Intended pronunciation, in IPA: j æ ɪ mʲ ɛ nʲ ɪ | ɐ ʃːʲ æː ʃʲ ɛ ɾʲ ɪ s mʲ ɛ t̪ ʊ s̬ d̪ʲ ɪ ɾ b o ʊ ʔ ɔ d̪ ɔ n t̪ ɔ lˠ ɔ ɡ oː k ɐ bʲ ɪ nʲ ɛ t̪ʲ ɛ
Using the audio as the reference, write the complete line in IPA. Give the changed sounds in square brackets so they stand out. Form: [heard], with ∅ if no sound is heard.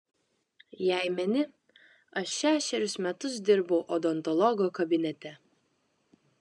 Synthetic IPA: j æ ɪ mʲ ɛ nʲ ɪ | ɐ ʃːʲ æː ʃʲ ɛ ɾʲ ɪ s mʲ ɛ t̪ ʊ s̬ d̪ʲ ɪ ɾ b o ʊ ʔ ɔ d̪ ɔ n t̪ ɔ lˠ ɔ ɡ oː k ɐ bʲ ɪ nʲ ɛ t̪ʲ ɛ